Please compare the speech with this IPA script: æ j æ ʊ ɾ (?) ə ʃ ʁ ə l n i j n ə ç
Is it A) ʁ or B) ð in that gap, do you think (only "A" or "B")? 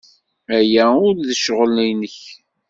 B